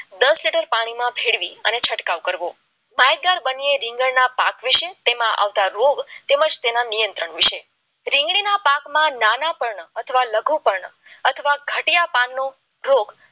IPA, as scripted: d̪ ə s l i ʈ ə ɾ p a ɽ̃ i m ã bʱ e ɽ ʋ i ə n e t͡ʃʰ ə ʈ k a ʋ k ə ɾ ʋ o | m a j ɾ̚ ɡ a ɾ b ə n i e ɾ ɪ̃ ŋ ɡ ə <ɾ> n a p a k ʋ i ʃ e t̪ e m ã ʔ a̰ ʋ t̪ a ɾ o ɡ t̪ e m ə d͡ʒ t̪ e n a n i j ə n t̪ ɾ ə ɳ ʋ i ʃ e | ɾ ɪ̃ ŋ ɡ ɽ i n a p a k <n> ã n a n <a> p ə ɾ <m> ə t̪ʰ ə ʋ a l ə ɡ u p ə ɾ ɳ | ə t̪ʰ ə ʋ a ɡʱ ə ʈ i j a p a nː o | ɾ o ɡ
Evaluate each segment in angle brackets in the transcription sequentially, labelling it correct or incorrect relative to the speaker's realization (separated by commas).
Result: incorrect, incorrect, correct, incorrect